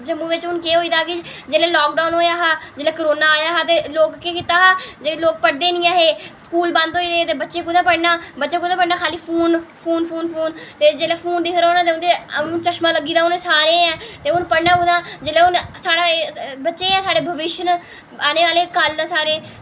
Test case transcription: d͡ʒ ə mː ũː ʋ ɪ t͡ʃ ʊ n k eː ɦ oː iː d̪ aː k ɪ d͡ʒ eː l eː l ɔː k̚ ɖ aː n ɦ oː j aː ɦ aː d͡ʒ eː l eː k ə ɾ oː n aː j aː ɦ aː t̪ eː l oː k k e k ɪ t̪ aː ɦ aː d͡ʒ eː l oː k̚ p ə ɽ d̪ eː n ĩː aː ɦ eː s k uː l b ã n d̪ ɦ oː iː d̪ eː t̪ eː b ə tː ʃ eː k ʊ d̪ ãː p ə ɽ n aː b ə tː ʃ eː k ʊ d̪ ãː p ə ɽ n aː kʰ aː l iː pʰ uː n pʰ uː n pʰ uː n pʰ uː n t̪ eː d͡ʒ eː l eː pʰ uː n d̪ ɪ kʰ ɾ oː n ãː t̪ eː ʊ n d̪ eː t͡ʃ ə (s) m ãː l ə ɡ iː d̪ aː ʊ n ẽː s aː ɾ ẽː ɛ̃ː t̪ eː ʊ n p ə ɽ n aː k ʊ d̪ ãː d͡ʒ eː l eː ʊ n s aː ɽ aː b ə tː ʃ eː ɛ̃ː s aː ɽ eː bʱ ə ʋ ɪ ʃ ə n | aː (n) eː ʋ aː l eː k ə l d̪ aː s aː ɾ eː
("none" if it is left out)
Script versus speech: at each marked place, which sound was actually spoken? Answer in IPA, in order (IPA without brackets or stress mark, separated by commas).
ʃ, n